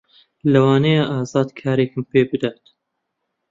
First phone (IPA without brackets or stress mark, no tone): l